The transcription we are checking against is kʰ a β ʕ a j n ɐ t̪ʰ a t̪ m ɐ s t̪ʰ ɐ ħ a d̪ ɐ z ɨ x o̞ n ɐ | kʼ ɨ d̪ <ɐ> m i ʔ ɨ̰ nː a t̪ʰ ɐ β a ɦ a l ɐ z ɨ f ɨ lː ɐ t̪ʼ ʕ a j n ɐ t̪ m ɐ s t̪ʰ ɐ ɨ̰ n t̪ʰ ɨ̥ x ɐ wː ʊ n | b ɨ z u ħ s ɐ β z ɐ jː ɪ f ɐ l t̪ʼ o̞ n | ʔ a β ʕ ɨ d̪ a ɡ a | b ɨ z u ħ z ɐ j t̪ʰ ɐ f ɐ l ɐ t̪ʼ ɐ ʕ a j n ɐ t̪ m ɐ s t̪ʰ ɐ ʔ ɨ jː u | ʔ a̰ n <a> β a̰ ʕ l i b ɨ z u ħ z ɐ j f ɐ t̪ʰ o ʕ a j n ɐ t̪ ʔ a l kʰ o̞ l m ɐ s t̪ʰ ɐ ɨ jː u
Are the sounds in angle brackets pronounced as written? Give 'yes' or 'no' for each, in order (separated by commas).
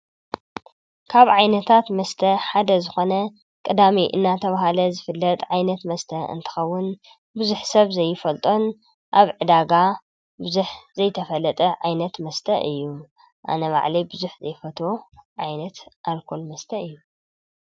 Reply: no, no